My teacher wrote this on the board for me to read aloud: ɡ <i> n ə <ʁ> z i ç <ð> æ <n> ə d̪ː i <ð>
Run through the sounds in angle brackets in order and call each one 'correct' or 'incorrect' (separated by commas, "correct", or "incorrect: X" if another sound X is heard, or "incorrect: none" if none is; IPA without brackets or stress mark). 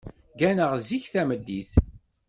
incorrect: æ, correct, incorrect: θ, incorrect: m, incorrect: θ